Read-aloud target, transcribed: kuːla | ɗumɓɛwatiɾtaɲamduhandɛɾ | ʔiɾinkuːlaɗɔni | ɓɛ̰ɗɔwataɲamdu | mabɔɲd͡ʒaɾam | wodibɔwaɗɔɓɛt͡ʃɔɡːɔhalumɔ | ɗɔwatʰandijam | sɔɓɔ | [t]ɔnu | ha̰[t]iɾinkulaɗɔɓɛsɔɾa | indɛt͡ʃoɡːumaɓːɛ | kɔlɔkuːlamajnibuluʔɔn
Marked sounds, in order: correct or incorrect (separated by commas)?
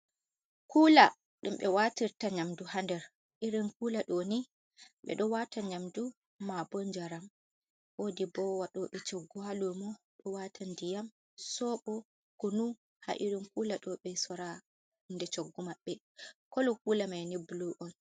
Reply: incorrect, incorrect